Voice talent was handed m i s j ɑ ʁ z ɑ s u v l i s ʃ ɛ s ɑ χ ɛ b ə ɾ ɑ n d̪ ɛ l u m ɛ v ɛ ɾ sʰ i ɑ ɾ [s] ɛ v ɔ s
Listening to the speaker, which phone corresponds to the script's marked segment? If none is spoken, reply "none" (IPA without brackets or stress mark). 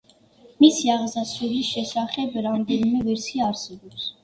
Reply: s